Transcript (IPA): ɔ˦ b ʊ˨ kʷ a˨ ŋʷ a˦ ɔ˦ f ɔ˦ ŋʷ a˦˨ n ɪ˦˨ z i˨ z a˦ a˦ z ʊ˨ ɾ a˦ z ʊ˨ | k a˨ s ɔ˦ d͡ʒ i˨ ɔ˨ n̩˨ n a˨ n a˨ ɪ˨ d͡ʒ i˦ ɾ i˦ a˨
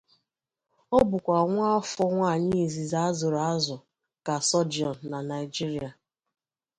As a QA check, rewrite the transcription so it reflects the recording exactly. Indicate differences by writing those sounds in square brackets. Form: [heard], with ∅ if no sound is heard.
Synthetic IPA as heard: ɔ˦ b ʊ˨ kʷ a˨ ŋʷ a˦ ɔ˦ f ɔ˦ ŋʷ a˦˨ [ɲ] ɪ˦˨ z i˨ z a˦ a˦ z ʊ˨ ɾ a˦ z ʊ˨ | k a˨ s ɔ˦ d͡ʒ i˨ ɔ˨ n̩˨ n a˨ n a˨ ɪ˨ d͡ʒ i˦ ɾ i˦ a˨